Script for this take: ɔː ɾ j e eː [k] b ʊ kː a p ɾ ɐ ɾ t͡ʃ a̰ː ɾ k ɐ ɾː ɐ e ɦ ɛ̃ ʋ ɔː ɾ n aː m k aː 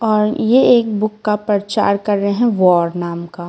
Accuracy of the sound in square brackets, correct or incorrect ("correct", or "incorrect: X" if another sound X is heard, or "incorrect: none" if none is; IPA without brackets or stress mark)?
correct